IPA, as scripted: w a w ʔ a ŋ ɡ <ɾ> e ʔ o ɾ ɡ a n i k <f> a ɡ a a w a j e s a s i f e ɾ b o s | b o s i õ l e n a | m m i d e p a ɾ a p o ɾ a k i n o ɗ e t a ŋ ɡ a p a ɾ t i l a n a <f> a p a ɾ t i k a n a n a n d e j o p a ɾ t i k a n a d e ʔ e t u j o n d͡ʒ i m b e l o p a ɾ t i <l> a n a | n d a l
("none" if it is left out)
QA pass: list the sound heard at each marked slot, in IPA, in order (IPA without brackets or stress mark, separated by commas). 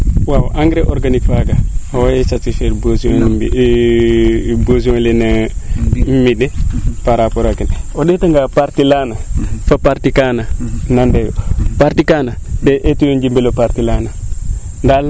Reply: ɾ, f, f, l